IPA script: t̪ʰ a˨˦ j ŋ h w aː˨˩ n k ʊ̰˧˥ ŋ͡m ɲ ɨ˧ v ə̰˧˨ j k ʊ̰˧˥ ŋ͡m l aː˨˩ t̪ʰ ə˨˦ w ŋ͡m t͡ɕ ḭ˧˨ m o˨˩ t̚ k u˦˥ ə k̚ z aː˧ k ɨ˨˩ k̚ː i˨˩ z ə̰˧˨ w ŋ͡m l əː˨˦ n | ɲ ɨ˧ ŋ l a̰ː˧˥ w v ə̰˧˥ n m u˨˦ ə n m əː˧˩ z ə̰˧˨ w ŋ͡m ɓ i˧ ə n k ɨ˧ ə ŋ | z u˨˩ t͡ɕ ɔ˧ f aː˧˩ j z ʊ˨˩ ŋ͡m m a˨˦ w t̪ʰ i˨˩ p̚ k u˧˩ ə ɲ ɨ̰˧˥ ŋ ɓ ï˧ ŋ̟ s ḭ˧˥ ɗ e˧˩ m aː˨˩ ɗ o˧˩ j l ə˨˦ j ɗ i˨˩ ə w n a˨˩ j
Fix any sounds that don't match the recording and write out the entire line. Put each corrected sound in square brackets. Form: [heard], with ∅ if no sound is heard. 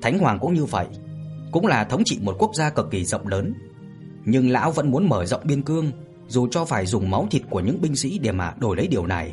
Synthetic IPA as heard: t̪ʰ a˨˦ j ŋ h w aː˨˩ [ŋ] k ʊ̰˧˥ ŋ͡m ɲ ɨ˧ v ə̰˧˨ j k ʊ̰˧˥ ŋ͡m l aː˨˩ t̪ʰ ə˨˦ w ŋ͡m t͡ɕ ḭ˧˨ m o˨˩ t̚ k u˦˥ ə k̚ z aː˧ k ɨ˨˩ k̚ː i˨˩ z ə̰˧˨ w ŋ͡m l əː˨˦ n | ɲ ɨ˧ ŋ l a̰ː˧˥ w v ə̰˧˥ n m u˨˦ ə n m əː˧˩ z ə̰˧˨ w ŋ͡m ɓ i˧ ə n k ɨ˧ ə ŋ | z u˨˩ t͡ɕ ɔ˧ f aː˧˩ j z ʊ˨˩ ŋ͡m m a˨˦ w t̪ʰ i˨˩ [t̚] k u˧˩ ə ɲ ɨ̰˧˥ ŋ ɓ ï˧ ŋ̟ s ḭ˧˥ ɗ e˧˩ m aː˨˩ ɗ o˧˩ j l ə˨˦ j ɗ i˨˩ ə w n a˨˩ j